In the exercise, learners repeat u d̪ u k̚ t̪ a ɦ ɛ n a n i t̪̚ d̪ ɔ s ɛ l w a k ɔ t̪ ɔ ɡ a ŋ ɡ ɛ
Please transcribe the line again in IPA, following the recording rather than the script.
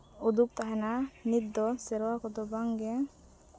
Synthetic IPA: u d̪ u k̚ t̪ a ɦ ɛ n a n i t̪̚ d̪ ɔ s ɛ ɾ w a k ɔ d̪ ɔ b a ŋ ɡ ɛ